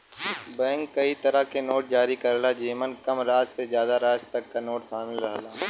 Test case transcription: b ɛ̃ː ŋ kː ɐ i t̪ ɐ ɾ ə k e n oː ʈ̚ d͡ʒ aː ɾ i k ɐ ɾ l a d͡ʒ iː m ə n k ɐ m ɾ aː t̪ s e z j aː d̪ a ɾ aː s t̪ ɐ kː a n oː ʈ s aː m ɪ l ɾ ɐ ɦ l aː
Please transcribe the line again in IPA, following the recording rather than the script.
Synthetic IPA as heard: b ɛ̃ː ŋ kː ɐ i t̪ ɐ ɾ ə k e n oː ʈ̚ d͡ʒ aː ɾ i k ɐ ɾ l a d͡ʒ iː m ə n k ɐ m ɾ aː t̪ s e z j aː d̪ a ɾ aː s t̪ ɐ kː a n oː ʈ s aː m ɪ l ɾ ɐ ɦ l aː

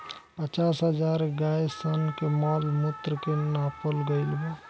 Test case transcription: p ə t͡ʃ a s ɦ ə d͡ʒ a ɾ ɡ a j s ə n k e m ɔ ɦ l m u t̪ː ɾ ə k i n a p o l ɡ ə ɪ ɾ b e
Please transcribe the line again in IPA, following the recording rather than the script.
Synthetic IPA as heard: p ə t͡ʃ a s ɦ ə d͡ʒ a ɾ ɡ a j s ə n k e m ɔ l m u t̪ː ɾ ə k e n a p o l ɡ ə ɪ l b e

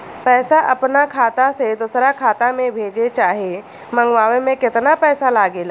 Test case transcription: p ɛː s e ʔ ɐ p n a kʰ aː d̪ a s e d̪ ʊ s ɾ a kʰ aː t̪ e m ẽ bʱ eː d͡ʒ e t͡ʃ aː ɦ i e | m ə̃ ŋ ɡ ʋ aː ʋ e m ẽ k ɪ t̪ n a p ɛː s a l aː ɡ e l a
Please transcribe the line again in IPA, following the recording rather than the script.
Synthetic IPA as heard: p ɛː s a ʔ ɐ p n a kʰ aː t̪ a s e d̪ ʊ s ɾ a kʰ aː t̪ a m ẽ bʱ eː d͡ʒ e t͡ʃ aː ɦ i e | m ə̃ ŋ ɡ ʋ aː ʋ e m ẽ k ɪ t̪ n a p ɛː s a l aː ɡ e l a

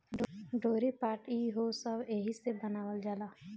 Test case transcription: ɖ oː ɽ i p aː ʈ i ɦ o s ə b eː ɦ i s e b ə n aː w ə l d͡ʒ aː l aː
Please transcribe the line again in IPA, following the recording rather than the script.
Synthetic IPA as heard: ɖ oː ɾ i p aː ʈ i ɦ o s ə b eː ɦ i s e b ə n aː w ə l d͡ʒ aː l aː

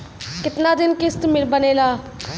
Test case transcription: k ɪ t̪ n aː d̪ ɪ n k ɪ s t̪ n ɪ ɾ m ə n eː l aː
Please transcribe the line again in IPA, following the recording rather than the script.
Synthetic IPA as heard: k ɪ t̪ n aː d̪ ɪ n k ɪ s t̪ m ɪ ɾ b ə n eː l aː

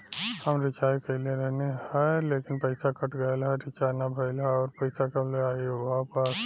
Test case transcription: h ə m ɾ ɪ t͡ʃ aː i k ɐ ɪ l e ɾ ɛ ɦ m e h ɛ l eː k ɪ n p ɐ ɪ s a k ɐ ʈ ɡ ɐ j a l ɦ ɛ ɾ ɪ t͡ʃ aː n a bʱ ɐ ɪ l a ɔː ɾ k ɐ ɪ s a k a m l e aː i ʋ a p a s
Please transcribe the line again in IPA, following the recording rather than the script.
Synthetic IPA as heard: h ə m ɾ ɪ t͡ʃ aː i k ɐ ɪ l e ɾ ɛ ɦ n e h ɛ l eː k ɪ n p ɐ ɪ s a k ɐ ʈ ɡ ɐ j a l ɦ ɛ ɾ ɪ t͡ʃ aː n a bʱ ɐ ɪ l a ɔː ɾ p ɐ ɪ s a k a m l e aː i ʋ a p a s

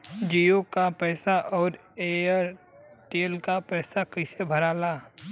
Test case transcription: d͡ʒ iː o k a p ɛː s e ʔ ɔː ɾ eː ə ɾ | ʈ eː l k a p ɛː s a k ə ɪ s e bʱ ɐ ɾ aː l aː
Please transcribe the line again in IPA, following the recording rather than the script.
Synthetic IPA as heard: d͡ʒ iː o k a p ɛː s a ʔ ɔː ɾ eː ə ɾ | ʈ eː l k a p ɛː s a k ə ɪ s e bʱ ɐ ɾ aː l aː

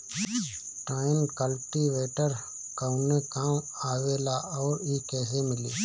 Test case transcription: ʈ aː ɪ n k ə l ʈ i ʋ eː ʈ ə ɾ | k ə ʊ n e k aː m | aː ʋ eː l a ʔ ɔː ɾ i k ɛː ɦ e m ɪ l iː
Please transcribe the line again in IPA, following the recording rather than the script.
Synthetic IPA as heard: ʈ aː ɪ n k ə l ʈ i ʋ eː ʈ ə ɾ | k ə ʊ n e k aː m | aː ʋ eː l a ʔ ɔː ɾ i k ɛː ɦ e m ɪ l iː

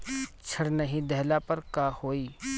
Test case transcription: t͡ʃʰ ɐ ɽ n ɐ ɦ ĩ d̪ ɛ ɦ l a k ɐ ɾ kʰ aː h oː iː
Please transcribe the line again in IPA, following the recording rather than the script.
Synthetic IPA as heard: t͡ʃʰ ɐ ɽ n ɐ ɦ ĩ d̪ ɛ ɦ l a p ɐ ɾ k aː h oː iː

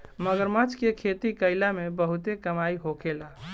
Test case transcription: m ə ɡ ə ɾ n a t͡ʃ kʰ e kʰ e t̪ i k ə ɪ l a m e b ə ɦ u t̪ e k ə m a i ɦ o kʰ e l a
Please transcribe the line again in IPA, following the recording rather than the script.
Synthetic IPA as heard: m ə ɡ ə ɾ m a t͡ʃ k e kʰ e t̪ i k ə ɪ l a m e b ə ɦ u t̪ e k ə m a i ɦ o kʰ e l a

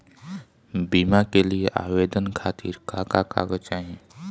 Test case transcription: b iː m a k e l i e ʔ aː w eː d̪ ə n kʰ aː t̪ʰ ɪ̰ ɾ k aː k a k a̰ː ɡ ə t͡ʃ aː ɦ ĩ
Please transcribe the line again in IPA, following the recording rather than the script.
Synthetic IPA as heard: b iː m a k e l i e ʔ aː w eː d̪ ə n kʰ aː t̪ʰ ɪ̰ ɾ k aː k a k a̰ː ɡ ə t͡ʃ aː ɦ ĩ

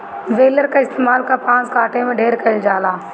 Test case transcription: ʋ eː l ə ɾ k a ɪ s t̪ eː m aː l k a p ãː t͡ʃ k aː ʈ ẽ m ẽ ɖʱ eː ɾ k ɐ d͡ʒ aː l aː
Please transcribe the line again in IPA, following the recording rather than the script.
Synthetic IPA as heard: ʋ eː l ə ɾ k a ɪ s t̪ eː m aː l k a p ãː t͡ʃ k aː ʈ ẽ m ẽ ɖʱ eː ɾ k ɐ d͡ʒ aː l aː

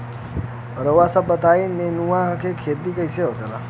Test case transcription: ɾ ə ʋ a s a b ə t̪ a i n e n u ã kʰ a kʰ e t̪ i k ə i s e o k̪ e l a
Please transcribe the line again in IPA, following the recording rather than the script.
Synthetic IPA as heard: ɾ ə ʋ a s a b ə t̪ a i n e n u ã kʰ e kʰ e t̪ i k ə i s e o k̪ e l a

